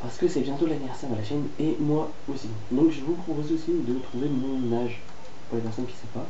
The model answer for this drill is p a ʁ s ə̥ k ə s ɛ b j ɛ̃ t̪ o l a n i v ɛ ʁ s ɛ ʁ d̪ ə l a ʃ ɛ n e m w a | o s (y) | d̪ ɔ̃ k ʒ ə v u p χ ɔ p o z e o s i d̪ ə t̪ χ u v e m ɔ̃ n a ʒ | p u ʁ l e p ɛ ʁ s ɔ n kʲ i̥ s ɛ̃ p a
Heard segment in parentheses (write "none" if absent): i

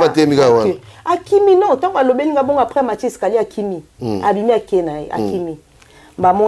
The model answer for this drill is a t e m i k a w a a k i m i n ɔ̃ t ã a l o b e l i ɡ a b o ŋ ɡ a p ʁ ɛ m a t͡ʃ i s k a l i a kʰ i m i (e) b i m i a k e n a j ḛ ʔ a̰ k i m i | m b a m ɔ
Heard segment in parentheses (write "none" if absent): a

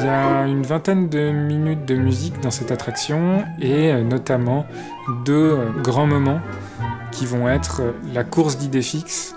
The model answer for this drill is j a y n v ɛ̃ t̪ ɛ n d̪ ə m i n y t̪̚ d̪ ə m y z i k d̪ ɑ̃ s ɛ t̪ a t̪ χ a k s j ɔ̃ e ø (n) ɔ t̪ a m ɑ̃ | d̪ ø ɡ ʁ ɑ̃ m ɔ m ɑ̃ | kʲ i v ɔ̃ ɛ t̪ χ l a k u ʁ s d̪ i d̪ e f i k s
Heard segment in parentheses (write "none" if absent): n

